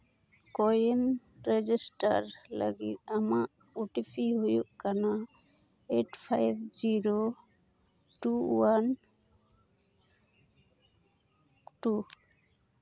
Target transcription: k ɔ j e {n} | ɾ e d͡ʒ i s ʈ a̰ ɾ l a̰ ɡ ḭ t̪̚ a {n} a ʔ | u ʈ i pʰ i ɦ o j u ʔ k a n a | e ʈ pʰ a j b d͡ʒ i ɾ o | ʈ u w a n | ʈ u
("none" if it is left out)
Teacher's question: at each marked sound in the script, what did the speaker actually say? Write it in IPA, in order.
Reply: n, m

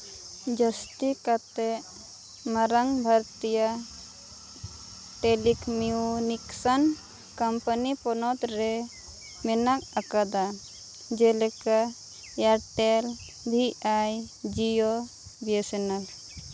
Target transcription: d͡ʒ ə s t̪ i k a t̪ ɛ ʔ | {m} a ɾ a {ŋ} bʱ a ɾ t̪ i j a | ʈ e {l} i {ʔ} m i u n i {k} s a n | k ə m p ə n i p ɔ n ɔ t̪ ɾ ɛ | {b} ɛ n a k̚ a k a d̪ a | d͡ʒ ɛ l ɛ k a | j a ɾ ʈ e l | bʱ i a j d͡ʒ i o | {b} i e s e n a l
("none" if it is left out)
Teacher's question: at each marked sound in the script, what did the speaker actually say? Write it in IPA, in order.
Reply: m, ŋ, l, k, k, m, b

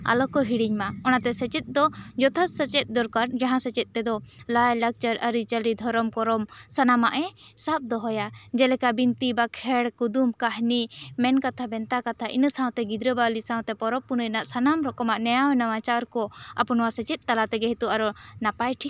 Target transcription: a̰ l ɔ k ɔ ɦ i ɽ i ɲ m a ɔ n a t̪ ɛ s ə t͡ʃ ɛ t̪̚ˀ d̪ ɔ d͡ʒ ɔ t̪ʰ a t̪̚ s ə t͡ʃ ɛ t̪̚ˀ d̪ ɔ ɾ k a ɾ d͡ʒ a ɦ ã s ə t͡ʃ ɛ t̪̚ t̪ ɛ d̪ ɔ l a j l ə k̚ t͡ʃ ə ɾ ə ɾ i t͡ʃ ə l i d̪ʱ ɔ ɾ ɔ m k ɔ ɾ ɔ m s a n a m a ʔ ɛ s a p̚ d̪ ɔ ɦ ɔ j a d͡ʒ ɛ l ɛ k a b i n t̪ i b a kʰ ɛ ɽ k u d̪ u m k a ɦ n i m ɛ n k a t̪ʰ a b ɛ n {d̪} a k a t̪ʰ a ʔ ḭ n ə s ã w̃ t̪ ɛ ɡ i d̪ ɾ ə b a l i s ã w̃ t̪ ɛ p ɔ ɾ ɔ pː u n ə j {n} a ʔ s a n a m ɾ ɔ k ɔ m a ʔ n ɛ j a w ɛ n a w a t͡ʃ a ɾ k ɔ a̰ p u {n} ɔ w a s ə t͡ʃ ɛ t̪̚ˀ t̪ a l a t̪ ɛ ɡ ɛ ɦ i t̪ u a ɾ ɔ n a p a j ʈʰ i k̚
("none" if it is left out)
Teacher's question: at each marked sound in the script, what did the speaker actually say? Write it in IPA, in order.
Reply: t̪, n, n

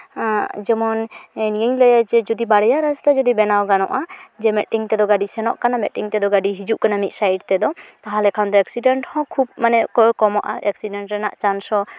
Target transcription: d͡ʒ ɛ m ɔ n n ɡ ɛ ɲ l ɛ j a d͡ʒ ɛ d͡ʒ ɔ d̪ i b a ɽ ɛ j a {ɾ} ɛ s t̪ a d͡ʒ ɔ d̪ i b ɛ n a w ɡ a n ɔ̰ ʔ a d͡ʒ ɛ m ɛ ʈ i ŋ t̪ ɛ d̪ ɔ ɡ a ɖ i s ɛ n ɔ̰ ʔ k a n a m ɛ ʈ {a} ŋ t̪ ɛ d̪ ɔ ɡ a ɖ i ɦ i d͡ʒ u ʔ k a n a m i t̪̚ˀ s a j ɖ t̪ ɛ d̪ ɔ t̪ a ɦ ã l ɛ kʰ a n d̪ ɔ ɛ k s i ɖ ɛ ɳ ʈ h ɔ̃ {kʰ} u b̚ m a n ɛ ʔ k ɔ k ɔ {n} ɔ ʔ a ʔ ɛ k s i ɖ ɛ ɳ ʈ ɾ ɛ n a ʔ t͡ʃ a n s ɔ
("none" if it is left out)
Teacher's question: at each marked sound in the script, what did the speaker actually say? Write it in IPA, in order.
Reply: ɾ, i, kʰ, m

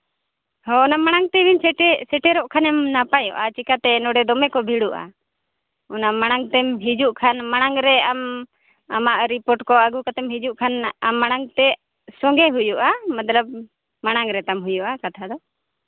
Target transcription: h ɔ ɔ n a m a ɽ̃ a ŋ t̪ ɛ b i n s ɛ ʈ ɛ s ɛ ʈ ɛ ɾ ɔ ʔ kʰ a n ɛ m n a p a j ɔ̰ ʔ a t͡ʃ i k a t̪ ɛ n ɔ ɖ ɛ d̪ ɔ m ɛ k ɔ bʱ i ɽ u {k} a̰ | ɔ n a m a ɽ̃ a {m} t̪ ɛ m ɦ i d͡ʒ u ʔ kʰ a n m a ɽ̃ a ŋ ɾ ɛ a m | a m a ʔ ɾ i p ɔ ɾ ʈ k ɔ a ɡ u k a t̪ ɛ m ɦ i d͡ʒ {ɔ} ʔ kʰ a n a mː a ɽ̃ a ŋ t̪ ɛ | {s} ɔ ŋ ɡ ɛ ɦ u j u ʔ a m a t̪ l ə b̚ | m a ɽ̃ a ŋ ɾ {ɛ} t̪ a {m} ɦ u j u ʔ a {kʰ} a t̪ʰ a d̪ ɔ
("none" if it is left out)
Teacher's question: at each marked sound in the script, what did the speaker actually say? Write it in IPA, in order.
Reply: ʔ, ŋ, u, s, ɛ, m, k

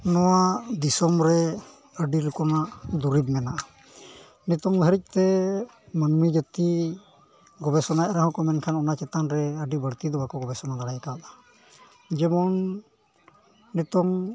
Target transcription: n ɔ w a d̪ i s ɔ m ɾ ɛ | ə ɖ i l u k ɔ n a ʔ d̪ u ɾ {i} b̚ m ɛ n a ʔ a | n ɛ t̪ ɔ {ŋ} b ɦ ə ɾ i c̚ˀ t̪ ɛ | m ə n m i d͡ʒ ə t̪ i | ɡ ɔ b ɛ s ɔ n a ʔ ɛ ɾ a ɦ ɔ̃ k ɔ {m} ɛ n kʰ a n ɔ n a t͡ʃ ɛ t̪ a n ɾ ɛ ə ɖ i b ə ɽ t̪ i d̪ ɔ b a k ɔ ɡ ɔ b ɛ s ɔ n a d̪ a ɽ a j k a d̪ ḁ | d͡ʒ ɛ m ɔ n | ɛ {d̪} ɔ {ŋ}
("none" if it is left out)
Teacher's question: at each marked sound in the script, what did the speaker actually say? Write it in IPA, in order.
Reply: i, ŋ, m, t̪, ŋ

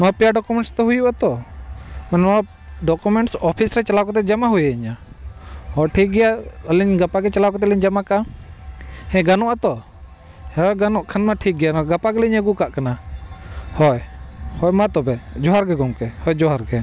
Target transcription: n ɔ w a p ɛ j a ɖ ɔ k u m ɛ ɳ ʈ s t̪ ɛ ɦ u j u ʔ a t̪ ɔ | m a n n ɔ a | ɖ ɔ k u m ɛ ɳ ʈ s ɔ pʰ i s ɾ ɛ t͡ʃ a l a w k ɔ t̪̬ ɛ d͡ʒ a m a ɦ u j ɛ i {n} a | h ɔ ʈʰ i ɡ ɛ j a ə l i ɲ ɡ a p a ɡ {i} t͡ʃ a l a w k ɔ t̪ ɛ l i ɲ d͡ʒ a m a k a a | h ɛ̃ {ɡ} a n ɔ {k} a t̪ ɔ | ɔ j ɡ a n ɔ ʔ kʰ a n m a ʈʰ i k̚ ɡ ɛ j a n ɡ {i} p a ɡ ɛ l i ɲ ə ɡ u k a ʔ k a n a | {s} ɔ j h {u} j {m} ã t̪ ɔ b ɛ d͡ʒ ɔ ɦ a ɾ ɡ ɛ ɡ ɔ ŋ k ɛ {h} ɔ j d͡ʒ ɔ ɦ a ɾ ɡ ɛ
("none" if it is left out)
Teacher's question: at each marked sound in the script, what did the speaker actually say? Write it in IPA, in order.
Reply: ɲ, ɛ, ɡ, ʔ, a, h, ɔ, m, h

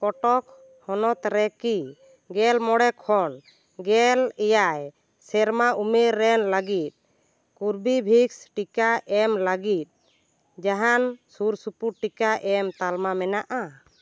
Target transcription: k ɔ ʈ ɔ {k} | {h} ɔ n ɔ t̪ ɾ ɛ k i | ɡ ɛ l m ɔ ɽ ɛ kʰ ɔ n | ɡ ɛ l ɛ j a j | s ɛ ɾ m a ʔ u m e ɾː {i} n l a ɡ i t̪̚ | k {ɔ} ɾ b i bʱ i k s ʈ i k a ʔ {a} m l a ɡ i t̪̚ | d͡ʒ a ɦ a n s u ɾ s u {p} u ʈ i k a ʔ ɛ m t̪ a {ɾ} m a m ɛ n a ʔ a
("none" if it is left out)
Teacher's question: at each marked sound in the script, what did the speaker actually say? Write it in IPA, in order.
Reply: k, h, ɛ, u, ɛ, p, l

